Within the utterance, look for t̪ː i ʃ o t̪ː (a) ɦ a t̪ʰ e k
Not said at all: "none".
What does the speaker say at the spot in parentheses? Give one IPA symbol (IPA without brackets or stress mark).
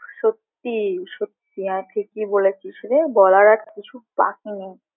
i